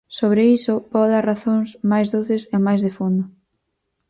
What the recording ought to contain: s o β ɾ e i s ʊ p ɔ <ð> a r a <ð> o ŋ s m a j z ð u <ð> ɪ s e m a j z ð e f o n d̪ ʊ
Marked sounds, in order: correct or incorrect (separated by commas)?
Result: correct, incorrect, incorrect